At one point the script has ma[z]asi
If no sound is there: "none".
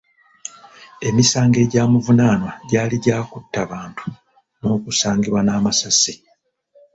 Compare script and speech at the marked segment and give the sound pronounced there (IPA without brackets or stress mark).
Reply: s